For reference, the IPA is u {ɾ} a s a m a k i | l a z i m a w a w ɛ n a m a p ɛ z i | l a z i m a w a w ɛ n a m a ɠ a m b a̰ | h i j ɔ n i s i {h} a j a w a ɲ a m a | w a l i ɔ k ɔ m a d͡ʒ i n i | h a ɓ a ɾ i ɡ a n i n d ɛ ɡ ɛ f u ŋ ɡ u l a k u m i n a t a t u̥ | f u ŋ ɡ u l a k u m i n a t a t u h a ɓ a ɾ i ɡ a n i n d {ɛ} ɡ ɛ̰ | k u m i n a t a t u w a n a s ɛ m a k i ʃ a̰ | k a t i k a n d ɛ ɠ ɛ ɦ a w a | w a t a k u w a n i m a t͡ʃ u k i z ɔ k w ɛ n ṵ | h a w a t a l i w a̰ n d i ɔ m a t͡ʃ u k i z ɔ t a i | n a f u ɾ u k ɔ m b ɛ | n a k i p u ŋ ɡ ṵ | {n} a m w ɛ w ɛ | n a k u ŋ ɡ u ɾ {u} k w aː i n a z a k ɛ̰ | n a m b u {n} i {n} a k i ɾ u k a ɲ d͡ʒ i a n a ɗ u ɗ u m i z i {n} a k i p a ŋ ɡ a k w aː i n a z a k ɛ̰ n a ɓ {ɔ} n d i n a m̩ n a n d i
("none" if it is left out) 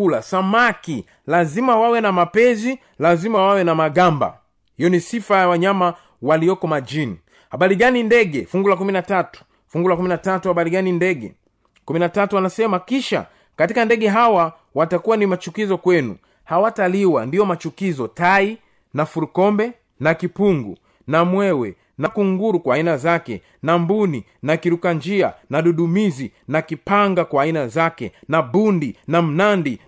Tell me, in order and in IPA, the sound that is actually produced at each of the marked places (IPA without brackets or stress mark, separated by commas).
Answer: l, f, ɛ, n, u, n, n, n, u